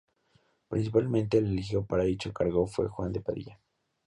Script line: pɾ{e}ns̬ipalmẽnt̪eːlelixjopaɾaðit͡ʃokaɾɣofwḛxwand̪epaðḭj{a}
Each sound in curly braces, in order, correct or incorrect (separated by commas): incorrect, correct